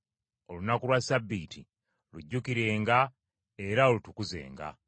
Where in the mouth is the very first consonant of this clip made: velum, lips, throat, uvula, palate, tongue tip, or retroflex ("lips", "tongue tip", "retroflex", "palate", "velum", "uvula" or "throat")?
tongue tip